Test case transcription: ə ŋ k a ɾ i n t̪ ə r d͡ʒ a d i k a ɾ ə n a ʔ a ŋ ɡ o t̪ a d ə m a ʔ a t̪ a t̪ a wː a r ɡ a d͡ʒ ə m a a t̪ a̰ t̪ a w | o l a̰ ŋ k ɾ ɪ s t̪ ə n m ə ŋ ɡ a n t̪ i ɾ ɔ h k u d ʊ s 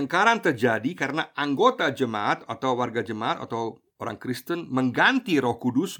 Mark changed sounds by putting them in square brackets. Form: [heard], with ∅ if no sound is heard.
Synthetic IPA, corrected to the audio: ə ŋ k a ɾ [a] n t̪ ə r d͡ʒ a d i k a ɾ ə n a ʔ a ŋ ɡ o t̪ a [d͡ʒ] ə m a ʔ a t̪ a t̪ a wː a r ɡ a d͡ʒ ə m a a t̪ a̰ t̪ a w | o [ɾ] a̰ ŋ k ɾ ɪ s t̪ ə n m ə ŋ ɡ a n t̪ i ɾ ɔ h k u d ʊ s